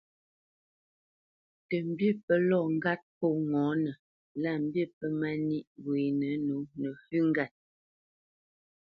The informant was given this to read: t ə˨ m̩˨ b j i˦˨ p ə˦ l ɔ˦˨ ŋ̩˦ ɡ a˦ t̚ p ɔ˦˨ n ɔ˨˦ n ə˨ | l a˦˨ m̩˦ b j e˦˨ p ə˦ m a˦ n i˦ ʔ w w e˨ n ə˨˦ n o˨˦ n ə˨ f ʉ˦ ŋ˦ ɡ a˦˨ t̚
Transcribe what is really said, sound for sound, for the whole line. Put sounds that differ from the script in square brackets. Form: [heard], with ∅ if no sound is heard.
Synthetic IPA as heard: t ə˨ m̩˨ b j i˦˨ p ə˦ l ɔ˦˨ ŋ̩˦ ɡ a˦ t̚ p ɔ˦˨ [ŋ] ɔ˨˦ n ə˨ | l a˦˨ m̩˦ b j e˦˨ p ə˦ m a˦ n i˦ ʔ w w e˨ n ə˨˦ n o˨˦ n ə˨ f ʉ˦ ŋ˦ ɡ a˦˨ t̚